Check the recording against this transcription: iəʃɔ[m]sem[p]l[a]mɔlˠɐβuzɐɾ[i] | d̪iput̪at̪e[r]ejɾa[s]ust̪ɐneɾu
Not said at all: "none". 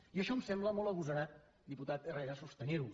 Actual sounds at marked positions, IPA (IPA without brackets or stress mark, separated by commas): m, b, ə, a, r, s